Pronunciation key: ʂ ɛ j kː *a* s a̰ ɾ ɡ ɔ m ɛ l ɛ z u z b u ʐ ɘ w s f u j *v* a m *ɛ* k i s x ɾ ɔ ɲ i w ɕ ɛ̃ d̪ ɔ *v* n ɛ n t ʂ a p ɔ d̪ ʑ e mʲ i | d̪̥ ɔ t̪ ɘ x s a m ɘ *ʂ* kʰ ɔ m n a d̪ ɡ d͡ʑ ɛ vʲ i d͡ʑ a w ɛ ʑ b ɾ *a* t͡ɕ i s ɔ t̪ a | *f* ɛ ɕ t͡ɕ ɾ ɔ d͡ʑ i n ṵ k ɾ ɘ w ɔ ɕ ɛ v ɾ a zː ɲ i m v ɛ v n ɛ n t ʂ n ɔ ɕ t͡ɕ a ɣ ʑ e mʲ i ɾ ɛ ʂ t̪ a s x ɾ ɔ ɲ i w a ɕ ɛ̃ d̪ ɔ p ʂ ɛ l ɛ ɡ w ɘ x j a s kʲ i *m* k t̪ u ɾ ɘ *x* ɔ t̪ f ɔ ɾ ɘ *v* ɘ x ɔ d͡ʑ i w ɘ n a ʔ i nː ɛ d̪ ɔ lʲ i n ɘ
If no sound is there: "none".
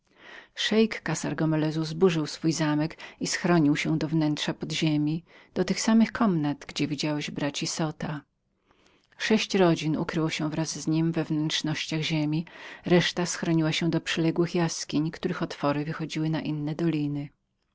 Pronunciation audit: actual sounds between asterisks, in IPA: a, z, ɛ, v, x, a, ʂ, ɲ, x, v

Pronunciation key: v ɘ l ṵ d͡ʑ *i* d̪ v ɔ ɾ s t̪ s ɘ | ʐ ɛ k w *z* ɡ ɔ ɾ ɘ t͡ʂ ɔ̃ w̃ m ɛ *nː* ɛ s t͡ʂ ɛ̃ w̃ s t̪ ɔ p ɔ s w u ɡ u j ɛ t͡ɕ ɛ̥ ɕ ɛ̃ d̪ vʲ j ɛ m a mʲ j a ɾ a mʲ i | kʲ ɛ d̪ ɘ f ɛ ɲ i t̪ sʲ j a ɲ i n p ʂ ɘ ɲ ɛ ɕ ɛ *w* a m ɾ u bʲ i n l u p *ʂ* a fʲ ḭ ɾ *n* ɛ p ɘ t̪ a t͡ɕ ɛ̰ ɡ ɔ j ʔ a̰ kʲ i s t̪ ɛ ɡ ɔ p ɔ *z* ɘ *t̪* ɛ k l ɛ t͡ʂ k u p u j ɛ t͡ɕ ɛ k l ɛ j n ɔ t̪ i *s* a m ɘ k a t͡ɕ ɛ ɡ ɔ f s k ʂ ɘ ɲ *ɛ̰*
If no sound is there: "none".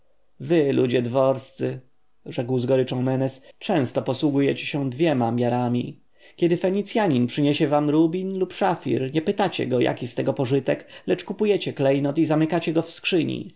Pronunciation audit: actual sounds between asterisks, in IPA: ɛ, z, n, v, ʂ, ɲ, ʐ, t̪, z, ḭ

